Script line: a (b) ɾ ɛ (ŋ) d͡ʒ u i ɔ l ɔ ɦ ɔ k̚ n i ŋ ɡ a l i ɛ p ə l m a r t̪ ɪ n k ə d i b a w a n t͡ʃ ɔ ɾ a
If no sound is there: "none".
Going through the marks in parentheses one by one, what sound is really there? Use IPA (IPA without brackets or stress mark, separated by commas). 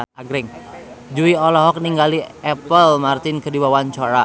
ɡ, ŋ